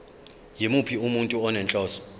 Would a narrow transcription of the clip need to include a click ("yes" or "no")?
no